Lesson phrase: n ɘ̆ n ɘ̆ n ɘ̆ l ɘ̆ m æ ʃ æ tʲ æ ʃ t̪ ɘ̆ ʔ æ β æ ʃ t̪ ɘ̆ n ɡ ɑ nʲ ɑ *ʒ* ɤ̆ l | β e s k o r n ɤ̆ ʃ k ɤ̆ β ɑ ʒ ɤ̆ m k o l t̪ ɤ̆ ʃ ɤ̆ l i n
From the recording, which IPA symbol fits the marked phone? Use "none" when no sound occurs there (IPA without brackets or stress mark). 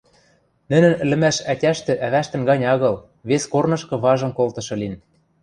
ɣ